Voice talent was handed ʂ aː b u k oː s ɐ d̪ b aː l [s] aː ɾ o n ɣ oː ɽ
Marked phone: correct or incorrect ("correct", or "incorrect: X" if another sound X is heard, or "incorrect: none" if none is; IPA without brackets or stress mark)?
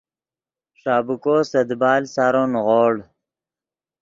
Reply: correct